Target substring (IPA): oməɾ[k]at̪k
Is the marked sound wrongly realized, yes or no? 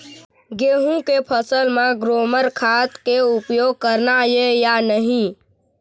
yes